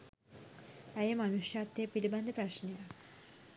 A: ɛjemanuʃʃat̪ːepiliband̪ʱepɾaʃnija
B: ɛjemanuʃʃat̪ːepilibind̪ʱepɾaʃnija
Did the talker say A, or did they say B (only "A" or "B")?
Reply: A